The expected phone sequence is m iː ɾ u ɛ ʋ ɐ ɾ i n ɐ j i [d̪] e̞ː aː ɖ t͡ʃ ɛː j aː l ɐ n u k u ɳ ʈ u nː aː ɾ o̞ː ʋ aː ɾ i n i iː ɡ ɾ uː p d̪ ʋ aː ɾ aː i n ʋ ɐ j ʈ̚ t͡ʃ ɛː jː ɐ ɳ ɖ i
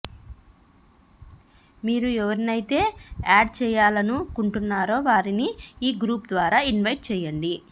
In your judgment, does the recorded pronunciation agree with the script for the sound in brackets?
no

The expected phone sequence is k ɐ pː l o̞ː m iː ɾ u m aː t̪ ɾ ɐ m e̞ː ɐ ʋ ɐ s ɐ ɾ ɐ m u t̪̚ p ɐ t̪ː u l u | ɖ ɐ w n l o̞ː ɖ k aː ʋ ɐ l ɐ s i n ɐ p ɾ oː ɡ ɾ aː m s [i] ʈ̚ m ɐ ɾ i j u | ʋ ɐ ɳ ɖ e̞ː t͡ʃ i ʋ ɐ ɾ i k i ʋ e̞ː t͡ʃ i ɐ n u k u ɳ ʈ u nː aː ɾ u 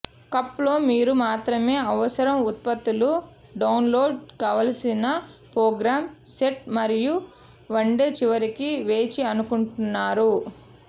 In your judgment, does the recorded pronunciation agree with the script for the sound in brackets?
no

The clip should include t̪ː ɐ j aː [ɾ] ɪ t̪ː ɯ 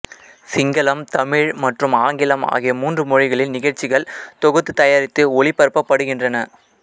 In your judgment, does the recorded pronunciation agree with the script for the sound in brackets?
yes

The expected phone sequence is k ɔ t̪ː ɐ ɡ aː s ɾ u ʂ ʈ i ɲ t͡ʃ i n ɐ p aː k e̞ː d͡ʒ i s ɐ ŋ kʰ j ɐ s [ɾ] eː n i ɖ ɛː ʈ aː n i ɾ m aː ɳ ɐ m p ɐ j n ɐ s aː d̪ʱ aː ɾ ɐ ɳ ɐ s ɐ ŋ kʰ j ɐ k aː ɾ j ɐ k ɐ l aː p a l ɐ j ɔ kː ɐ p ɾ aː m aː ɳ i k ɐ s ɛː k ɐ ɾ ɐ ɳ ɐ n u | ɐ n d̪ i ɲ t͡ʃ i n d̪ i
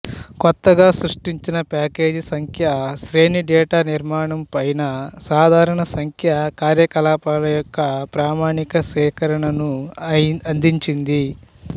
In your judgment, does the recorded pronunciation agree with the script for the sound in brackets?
yes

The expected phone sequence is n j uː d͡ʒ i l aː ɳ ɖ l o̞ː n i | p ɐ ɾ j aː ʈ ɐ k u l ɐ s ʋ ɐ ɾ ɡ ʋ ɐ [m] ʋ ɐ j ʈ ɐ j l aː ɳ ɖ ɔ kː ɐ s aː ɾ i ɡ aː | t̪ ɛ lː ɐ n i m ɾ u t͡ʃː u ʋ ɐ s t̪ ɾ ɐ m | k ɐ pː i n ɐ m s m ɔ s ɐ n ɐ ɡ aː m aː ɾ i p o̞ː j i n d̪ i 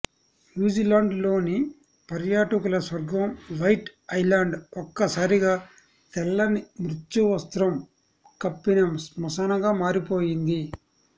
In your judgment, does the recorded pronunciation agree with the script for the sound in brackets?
yes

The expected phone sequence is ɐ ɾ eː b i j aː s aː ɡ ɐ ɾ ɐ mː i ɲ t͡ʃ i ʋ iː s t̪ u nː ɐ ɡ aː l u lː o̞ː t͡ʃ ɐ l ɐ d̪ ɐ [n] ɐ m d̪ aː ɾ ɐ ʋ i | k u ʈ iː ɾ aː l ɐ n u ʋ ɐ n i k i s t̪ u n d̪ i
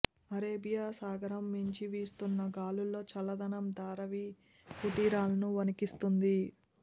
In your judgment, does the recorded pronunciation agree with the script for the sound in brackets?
yes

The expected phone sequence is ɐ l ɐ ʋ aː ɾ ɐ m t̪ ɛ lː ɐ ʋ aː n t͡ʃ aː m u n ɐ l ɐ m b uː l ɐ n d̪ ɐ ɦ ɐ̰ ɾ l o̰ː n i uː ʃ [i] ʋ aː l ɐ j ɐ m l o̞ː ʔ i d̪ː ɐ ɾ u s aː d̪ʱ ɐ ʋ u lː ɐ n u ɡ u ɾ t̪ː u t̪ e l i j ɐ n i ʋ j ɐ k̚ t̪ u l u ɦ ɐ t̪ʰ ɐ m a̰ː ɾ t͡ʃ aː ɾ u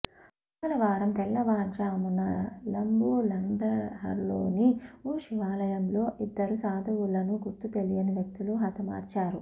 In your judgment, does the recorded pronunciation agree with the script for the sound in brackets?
yes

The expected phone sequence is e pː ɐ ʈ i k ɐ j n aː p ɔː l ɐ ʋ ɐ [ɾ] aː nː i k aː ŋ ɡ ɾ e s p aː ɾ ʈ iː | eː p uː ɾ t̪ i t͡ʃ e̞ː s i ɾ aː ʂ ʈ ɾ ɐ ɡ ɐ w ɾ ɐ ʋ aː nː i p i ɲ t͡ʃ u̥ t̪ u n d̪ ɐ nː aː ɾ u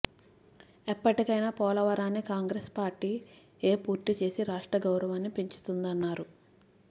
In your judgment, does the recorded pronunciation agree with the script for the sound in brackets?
yes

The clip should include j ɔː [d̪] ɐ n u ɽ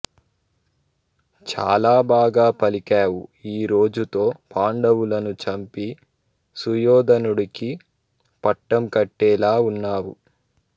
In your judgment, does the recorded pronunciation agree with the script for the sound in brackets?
yes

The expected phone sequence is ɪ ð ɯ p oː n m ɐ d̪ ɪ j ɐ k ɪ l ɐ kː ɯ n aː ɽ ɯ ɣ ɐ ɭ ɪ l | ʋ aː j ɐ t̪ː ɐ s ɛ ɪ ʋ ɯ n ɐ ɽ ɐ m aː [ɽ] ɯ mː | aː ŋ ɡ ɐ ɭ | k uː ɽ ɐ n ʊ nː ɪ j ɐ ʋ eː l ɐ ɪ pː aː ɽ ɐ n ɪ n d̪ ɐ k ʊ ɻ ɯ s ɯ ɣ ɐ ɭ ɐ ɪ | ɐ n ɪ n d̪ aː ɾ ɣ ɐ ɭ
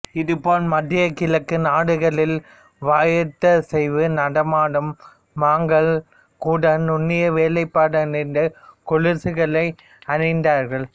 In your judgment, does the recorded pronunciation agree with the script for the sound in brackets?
yes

